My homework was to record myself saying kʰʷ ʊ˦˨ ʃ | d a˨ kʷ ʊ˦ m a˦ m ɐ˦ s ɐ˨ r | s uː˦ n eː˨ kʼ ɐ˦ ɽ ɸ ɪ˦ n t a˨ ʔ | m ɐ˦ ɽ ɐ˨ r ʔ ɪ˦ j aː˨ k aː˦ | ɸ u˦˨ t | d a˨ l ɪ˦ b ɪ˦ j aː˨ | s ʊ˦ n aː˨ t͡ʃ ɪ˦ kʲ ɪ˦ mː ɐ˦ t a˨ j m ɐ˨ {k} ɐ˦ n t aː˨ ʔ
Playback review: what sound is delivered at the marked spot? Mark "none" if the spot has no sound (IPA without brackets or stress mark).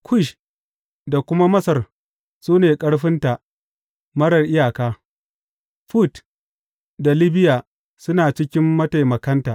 k